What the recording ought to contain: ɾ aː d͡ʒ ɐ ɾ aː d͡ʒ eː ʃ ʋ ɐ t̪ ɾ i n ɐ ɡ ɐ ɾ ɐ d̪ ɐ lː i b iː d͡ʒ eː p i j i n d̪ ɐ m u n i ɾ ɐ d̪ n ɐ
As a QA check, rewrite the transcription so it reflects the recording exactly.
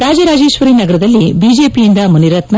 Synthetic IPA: ɾ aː d͡ʒ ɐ ɾ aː d͡ʒ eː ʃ ʋ ɐ ɾ i n ɐ ɡ ɐ ɾ ɐ d̪ ɐ lː i b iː d͡ʒ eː p i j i n d̪ ɐ m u n i ɾ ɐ t̪ n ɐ